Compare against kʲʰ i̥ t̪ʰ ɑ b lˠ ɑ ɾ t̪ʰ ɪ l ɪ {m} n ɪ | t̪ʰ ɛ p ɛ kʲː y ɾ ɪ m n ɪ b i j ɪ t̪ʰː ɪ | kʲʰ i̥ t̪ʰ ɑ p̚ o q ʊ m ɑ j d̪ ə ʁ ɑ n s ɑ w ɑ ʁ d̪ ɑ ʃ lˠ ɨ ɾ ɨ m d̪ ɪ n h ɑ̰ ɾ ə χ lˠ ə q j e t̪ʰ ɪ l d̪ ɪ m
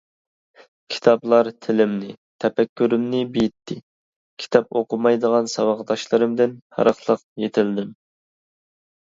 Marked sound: correct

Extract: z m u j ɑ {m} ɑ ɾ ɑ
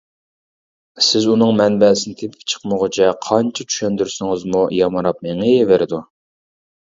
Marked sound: correct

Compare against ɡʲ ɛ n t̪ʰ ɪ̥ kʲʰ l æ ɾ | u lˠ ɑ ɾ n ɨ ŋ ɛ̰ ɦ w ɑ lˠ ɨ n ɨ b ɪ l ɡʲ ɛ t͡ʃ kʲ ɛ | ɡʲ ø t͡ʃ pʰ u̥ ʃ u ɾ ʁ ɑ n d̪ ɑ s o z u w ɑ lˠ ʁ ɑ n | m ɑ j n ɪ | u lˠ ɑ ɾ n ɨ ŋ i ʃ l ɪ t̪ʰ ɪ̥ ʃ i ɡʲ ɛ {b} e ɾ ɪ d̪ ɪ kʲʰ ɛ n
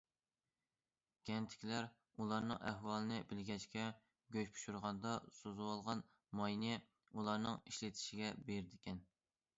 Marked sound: correct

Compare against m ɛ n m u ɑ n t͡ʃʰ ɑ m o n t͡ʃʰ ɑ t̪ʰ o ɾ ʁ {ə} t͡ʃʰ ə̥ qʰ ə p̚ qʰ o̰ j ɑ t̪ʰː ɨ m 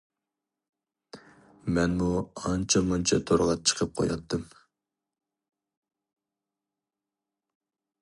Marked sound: incorrect: ɑ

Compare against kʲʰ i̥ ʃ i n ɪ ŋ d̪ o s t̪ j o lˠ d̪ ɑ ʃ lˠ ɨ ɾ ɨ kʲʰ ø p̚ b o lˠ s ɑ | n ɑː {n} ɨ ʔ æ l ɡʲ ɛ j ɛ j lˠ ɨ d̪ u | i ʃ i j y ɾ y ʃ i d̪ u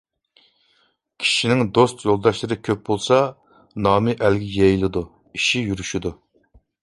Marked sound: incorrect: m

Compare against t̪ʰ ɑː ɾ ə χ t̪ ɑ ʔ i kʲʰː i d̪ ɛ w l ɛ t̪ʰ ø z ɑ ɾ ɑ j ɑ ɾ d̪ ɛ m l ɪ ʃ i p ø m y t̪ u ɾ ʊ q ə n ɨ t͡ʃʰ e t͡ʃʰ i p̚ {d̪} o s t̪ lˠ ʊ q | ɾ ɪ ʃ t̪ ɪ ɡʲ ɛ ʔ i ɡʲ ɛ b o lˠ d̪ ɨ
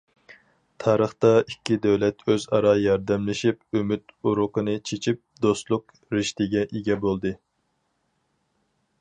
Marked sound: correct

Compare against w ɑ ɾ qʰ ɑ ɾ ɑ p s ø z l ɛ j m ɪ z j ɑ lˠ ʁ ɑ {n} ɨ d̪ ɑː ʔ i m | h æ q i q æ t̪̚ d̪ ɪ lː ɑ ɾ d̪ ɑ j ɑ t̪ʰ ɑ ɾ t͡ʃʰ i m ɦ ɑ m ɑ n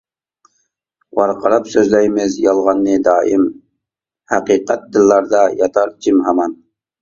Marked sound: incorrect: nː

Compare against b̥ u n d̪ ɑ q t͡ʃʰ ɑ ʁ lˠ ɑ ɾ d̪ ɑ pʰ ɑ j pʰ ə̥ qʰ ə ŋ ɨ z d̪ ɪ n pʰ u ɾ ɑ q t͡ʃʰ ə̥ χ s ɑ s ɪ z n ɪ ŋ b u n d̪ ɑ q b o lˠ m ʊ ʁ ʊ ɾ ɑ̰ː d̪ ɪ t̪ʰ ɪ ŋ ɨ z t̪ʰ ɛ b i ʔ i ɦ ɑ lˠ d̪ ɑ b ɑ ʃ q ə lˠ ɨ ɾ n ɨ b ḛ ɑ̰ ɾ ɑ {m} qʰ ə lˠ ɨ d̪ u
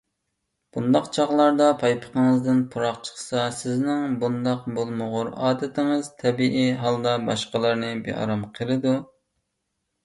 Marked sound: correct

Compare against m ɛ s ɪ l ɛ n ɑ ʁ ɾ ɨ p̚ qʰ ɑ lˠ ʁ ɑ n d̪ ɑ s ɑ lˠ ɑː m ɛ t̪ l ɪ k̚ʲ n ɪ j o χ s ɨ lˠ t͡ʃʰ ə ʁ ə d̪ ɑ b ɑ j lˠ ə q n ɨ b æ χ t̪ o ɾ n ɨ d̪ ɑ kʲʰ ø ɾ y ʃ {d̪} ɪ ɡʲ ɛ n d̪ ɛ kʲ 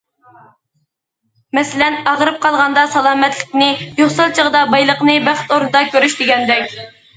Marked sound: correct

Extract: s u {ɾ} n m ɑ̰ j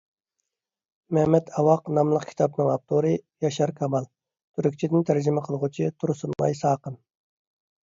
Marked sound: incorrect: none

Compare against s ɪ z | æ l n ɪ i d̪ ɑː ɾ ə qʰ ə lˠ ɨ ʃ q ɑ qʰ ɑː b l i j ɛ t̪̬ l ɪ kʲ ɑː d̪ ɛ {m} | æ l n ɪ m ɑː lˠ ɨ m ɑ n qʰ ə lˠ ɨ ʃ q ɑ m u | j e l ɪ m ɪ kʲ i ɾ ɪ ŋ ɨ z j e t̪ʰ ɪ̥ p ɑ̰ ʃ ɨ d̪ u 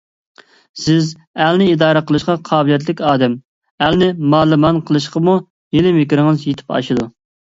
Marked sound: correct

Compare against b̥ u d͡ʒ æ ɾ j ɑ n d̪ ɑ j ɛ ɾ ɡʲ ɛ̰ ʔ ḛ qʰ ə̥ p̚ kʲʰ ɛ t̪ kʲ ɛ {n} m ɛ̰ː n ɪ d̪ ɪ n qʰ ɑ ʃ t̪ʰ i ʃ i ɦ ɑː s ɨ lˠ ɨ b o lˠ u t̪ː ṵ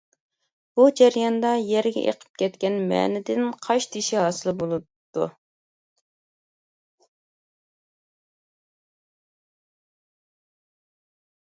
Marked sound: correct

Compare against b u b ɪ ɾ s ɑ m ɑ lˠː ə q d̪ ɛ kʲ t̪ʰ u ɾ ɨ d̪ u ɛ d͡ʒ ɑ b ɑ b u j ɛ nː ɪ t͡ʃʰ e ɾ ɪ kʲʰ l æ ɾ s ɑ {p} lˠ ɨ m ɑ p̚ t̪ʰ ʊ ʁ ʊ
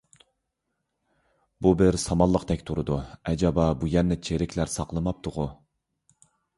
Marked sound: incorrect: q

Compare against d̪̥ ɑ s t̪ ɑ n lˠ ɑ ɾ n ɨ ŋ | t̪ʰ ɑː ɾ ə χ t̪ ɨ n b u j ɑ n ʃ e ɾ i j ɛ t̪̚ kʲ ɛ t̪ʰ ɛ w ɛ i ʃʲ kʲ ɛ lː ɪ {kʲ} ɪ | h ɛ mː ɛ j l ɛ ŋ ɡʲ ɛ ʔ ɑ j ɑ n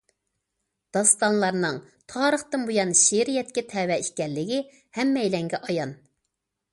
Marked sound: incorrect: ɡʲ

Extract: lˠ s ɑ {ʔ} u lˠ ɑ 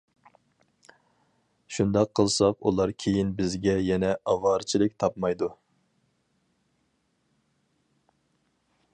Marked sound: incorrect: q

